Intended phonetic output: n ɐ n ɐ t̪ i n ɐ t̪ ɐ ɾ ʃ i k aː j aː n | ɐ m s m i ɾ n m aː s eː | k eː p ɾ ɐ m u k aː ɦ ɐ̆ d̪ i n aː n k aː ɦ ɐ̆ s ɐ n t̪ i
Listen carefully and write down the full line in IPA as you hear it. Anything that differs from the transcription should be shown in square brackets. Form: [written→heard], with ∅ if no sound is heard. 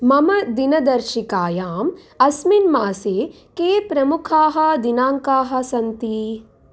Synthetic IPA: [n→m] ɐ [n→m] ɐ [t̪→d̪] i n ɐ [t̪→d̪] ɐ ɾ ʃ i k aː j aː [n→m] | ɐ [m→∅] s m i [ɾ→∅] n m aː s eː | k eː p ɾ ɐ m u [k→kʰ] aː ɦ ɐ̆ d̪ i n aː [n→ŋ] k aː ɦ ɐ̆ s ɐ n t̪ i